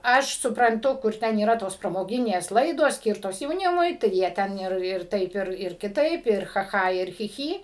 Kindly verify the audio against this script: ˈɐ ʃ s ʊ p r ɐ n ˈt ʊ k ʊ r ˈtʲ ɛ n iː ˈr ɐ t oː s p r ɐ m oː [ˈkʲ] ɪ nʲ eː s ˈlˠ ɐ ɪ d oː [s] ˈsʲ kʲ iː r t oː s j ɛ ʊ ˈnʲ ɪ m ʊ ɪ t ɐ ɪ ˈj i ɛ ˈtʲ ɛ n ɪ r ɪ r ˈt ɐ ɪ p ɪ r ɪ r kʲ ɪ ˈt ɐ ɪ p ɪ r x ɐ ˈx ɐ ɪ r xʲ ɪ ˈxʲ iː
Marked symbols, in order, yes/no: no, yes

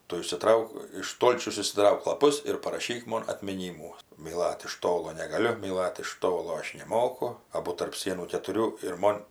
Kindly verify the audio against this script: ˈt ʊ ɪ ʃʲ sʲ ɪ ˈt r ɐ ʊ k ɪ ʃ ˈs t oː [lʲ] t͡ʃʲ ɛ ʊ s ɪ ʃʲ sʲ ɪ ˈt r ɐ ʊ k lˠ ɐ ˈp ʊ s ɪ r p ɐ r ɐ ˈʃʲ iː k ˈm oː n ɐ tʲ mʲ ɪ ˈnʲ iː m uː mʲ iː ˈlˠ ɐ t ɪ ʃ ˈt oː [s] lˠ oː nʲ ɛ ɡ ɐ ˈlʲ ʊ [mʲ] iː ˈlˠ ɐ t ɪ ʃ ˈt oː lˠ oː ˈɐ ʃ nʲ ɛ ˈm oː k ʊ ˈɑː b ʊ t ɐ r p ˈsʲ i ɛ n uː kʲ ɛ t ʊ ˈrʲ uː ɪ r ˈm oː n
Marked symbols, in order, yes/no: yes, no, yes

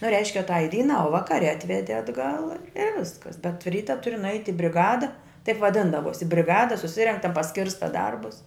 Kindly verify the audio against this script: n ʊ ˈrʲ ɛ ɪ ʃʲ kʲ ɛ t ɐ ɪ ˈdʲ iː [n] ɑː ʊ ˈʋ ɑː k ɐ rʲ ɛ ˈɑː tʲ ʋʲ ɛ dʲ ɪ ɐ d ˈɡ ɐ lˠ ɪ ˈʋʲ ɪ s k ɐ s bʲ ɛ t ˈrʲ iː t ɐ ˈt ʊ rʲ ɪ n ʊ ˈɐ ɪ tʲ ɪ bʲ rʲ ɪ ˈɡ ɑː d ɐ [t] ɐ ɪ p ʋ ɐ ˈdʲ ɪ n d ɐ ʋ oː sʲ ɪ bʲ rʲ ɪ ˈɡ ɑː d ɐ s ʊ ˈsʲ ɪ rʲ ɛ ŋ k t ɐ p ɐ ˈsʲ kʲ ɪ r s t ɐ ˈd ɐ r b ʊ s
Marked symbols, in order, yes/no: yes, yes

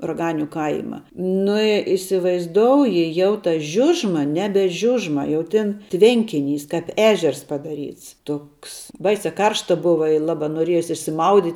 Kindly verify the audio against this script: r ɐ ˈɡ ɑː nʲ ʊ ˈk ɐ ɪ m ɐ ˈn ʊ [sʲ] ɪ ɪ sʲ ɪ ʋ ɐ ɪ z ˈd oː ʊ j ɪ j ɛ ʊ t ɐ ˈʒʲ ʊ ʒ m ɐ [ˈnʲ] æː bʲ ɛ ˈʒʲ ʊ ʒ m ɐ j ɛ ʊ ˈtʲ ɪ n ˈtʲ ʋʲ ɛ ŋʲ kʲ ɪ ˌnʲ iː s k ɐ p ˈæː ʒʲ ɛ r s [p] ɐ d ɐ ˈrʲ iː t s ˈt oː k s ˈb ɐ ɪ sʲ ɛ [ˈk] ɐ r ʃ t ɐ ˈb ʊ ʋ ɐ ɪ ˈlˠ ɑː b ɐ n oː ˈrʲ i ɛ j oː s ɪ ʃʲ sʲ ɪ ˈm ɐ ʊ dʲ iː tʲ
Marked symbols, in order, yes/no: no, yes, yes, yes

